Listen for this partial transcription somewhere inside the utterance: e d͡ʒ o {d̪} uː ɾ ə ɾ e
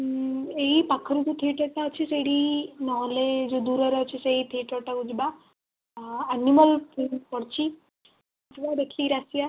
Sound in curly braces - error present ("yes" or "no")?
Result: no